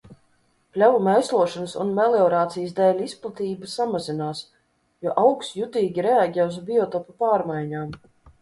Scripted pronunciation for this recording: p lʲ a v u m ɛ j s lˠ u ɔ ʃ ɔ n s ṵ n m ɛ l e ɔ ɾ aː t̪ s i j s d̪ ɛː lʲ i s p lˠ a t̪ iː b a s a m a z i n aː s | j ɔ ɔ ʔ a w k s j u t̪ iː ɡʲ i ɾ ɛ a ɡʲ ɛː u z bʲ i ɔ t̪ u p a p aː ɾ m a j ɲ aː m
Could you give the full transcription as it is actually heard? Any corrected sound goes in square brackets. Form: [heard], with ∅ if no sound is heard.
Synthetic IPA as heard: p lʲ a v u m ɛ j s lˠ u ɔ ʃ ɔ n s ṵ n m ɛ l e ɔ ɾ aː t̪ s i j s d̪ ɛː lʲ i s p lˠ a t̪ iː b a s a m a z i n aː s | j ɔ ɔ ʔ a w k s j u t̪ iː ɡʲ i ɾ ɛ a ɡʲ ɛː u z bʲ i ɔ t̪ [ɔ] p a p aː ɾ m a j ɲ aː m